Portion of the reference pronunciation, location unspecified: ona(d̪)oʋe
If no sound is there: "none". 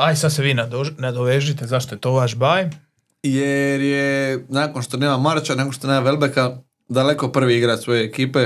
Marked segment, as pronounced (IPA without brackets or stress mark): d̪